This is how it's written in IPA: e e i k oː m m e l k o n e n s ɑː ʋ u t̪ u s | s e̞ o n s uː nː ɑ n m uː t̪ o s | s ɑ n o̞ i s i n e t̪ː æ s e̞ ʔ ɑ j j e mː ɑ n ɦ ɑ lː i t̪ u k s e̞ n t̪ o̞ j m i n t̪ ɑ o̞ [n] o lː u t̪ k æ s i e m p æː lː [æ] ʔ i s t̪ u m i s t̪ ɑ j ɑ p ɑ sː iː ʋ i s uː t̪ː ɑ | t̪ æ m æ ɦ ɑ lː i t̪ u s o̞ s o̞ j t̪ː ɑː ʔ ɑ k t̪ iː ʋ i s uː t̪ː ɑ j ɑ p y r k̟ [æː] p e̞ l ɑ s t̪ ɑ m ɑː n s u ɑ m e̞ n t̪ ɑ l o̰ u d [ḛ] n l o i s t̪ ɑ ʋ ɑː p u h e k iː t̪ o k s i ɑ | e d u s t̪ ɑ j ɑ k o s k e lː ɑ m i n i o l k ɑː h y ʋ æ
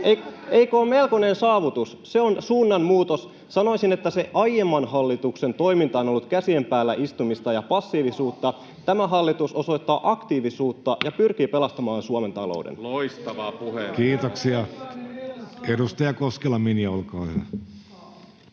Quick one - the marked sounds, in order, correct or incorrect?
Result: correct, correct, incorrect, correct

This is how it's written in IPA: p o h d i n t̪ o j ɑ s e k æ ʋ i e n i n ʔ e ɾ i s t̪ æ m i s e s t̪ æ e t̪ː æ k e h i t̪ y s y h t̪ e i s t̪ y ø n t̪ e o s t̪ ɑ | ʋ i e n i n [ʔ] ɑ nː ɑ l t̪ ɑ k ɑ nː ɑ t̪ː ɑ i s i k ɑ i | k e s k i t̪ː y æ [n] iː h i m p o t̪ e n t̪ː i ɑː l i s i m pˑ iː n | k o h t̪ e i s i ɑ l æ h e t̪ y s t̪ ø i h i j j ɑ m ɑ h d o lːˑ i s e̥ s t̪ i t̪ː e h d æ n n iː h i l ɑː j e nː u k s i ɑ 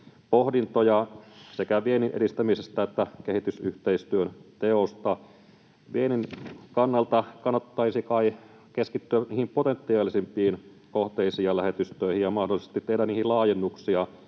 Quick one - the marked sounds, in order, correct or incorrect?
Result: incorrect, correct

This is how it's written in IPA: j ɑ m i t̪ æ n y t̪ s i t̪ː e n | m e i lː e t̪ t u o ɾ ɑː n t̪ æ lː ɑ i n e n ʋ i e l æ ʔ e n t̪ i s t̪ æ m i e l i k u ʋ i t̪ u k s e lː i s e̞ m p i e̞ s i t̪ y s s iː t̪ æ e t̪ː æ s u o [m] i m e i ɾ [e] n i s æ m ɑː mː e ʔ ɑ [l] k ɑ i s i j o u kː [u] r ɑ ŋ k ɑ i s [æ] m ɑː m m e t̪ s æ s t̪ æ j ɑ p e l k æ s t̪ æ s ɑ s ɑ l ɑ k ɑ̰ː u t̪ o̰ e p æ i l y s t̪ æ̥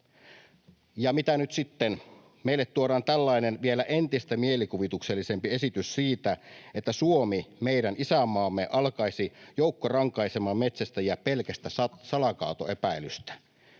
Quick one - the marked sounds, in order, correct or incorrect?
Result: correct, incorrect, correct, incorrect, incorrect

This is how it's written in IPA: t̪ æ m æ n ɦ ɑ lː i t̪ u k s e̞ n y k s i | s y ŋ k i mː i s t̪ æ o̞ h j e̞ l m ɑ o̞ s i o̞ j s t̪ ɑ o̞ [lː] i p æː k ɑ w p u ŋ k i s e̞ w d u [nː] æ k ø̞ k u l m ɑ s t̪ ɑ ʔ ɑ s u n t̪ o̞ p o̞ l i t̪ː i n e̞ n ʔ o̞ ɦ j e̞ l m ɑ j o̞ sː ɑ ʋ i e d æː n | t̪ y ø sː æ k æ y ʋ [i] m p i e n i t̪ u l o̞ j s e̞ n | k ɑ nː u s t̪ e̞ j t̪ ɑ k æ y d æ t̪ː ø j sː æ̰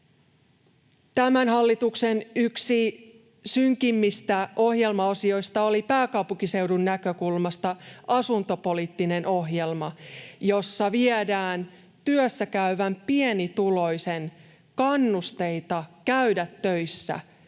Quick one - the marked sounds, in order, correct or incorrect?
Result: incorrect, correct, incorrect

